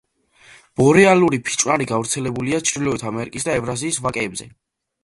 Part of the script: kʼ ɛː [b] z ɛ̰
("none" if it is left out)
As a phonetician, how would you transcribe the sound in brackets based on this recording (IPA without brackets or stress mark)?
b